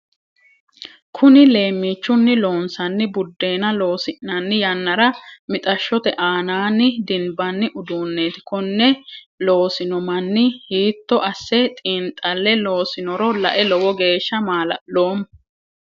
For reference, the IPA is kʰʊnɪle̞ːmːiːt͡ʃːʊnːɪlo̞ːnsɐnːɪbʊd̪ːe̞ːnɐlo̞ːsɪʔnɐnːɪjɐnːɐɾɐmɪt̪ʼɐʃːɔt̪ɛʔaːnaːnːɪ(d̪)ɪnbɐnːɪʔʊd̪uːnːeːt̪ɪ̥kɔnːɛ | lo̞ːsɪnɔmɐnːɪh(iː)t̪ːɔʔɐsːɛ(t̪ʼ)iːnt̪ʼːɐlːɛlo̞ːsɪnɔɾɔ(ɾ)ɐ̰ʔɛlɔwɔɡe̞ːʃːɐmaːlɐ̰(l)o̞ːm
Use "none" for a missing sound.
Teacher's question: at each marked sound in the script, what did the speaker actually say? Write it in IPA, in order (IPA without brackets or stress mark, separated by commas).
d̪, iː, t̪ʼ, l, l